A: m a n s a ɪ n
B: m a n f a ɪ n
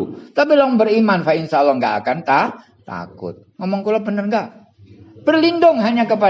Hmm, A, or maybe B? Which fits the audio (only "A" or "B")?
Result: B